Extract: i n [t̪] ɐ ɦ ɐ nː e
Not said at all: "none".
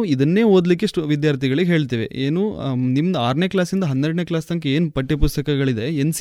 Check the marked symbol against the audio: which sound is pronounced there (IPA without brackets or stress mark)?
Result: d̪